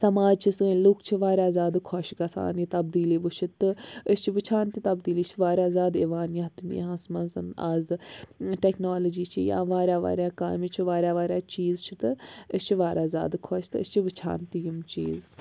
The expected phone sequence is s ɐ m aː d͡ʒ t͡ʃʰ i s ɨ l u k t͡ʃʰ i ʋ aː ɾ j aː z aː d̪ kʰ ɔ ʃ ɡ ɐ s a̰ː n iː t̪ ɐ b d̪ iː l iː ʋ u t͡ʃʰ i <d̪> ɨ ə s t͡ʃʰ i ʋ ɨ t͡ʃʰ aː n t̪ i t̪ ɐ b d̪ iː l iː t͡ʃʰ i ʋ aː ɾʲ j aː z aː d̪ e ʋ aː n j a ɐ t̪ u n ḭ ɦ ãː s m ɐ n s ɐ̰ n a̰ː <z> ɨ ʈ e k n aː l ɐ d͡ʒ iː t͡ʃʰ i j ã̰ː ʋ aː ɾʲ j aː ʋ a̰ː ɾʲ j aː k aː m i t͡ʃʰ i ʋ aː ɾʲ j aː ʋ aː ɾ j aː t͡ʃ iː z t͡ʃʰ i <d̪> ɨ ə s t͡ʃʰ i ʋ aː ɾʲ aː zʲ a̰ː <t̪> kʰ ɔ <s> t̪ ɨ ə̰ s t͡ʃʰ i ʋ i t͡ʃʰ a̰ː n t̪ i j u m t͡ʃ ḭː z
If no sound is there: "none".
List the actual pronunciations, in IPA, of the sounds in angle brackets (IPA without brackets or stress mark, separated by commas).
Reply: t̪, z, t̪, d̪, ʃ